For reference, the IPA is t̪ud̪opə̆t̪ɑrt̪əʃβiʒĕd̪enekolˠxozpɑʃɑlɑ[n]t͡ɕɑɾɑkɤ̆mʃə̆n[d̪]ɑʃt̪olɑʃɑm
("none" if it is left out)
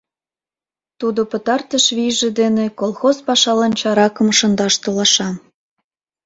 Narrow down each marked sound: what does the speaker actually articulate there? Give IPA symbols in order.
n, d̪

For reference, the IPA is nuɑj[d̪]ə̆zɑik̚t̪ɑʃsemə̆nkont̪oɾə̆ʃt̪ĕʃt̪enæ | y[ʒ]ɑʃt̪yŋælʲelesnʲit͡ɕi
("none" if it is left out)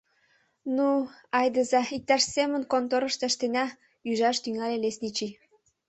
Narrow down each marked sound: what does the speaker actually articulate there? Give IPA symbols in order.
d̪, ʒ

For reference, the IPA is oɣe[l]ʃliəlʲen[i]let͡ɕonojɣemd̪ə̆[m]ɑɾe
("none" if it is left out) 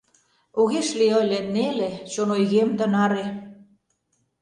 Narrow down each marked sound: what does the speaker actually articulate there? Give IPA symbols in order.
none, e, n

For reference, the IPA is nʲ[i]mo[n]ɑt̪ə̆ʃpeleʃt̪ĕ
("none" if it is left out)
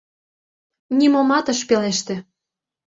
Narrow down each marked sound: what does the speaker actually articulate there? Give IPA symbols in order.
i, m

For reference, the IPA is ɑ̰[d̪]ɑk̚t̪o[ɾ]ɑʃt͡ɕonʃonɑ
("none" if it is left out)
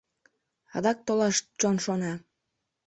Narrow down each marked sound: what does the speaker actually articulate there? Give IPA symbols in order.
d̪, l

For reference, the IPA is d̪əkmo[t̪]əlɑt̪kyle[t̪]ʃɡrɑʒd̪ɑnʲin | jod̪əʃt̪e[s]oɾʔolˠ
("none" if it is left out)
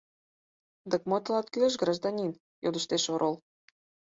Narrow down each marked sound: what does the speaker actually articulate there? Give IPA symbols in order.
t̪, none, ʃ

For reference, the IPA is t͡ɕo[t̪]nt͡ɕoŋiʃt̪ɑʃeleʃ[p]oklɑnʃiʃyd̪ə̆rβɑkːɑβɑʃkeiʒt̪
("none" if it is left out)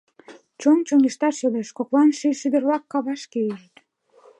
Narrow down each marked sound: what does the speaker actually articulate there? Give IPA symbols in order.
none, k

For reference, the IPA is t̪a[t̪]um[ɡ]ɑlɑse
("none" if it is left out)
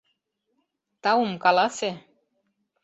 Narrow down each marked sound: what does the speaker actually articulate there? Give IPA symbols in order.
none, k

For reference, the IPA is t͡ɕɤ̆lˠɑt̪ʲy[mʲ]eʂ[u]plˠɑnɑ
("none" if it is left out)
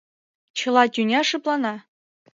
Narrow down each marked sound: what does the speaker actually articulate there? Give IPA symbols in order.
nʲ, ɯ

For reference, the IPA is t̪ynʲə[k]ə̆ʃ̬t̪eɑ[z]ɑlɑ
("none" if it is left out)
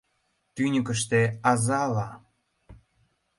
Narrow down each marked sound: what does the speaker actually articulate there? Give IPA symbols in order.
k, z

